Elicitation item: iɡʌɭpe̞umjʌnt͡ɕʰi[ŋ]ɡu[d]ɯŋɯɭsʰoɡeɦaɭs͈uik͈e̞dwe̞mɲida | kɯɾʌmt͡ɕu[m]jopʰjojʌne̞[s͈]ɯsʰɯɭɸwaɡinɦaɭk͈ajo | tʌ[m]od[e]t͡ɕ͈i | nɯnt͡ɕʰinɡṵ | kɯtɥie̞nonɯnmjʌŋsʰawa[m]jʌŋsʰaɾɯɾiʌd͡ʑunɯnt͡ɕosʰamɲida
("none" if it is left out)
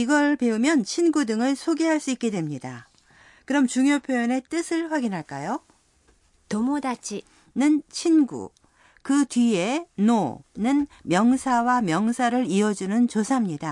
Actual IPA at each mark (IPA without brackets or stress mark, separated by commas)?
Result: n, d, ŋ, t͈, m, a, m